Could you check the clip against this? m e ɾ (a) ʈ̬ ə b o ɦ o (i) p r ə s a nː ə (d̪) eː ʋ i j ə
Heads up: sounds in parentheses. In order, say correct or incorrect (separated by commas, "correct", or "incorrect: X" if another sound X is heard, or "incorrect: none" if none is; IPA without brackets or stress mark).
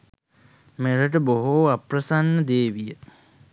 incorrect: ə, incorrect: a, correct